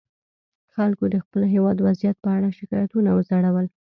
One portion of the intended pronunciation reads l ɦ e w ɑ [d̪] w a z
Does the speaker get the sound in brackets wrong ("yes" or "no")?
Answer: no